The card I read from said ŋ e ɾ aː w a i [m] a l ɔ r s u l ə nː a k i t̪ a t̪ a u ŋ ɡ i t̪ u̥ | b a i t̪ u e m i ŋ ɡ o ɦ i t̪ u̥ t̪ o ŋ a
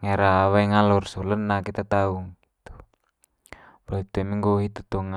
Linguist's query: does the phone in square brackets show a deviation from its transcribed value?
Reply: yes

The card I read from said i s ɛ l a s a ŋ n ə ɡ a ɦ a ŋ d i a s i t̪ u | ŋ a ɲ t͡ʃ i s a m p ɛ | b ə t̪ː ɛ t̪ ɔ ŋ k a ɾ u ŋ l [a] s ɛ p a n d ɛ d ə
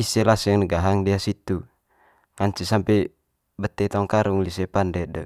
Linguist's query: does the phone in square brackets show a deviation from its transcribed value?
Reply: yes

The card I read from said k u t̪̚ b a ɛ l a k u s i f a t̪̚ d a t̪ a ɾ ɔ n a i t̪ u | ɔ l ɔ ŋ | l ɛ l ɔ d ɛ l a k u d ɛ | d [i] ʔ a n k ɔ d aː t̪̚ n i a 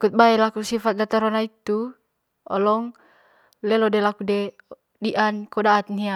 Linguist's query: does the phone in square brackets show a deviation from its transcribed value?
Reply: no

